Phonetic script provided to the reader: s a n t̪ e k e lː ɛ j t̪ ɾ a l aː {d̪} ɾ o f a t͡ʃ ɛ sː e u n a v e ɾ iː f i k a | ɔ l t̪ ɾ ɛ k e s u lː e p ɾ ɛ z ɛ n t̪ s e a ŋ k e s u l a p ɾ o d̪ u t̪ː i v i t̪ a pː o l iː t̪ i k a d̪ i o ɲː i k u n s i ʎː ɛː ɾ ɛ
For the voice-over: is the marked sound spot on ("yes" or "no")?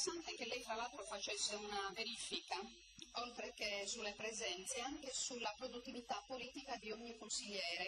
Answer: no